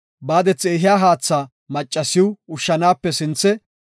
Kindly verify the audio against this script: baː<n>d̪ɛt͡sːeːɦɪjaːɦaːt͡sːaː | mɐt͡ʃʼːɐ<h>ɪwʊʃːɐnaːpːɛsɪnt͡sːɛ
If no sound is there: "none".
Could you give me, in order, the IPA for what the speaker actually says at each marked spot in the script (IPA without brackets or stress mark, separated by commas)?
none, s